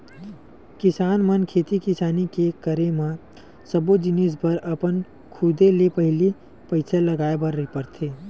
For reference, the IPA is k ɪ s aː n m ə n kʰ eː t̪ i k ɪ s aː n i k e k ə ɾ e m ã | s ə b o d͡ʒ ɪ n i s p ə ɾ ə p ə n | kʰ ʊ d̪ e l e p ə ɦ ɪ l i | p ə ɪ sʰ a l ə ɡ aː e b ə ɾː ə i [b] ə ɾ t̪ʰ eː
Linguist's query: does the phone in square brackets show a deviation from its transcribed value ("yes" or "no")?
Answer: yes